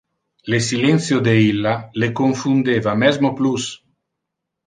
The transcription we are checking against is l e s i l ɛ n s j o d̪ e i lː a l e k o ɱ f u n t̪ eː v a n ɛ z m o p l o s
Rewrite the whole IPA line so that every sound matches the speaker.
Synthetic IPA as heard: l e s i l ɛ n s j o d̪ e i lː a l e k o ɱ f u n d̪ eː v a m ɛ z m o p l u s